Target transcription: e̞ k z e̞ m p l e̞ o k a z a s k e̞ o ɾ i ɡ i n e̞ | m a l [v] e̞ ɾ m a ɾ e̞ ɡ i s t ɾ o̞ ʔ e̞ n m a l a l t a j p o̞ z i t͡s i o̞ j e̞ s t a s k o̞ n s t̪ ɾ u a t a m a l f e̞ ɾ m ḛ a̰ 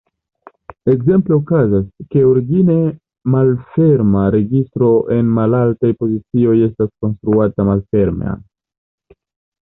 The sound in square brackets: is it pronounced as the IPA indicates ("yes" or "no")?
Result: no